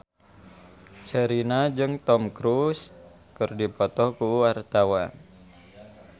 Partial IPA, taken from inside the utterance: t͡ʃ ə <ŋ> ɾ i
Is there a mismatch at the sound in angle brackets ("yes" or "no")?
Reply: yes